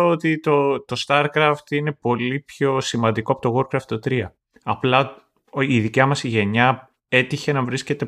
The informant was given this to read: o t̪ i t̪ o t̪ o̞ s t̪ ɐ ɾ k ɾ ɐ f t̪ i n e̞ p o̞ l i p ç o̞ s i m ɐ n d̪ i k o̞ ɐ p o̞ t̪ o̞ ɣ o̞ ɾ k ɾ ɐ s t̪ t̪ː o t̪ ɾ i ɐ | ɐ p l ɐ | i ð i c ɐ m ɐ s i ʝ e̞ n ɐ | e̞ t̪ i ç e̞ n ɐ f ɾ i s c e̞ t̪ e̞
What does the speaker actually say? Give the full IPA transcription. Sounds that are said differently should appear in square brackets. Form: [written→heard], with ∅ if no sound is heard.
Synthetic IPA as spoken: o t̪ i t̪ o t̪ o̞ s t̪ ɐ ɾ k ɾ ɐ f t̪ i n e̞ p o̞ l i p ç o̞ s i m ɐ n d̪ i k o̞ ɐ p o̞ t̪ o̞ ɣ o̞ ɾ k ɾ ɐ [s→f] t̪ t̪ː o t̪ ɾ i ɐ | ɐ p l ɐ | i ð i c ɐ m ɐ s i ʝ e̞ [n→ɲ] ɐ | e̞ t̪ i ç e̞ n ɐ [f→v] ɾ i s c e̞ t̪ e̞